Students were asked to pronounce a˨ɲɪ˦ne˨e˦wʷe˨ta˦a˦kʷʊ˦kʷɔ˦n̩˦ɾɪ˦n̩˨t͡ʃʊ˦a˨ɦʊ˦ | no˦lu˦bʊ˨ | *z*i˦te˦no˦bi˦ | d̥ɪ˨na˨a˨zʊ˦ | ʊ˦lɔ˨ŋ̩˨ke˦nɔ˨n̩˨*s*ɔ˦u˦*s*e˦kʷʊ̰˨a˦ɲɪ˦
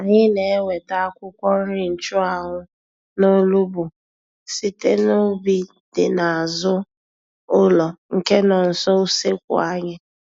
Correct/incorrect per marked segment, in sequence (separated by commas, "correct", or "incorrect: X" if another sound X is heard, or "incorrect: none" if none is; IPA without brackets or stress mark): incorrect: s, correct, correct